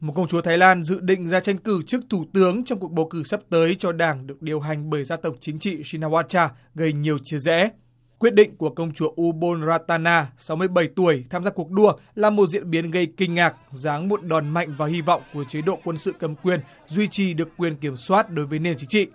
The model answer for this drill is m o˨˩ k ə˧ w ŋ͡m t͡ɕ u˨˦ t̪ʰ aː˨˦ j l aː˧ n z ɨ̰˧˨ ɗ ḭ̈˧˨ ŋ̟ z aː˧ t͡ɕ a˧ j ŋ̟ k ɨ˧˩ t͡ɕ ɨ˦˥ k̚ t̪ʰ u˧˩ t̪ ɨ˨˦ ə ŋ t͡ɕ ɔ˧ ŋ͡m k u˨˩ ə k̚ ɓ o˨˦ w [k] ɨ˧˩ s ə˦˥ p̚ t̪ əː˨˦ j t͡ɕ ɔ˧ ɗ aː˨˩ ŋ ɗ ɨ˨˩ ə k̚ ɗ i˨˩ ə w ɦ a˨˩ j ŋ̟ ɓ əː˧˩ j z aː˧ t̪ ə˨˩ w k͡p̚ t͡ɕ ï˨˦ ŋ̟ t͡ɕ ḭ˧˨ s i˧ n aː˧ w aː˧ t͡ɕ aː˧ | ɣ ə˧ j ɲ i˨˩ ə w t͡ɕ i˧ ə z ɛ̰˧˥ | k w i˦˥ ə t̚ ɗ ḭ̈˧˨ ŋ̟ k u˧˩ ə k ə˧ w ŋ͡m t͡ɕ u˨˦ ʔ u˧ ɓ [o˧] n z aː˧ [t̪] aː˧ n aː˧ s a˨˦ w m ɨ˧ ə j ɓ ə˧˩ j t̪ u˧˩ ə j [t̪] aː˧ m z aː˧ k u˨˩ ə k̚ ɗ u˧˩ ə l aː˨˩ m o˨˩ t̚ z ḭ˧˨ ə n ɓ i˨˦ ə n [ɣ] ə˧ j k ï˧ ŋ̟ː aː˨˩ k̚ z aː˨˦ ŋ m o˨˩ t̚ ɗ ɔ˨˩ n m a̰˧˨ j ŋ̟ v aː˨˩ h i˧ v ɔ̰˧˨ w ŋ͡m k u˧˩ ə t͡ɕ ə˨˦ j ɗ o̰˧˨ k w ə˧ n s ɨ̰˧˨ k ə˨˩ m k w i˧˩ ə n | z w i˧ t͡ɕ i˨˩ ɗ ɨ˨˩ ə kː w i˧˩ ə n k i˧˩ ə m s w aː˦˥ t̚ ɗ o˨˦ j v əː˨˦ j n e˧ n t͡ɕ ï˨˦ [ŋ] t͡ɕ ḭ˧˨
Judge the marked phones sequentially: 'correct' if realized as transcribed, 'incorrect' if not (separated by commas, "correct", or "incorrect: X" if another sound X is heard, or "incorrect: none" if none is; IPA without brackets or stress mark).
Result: correct, correct, correct, incorrect: t̪ʰ, correct, correct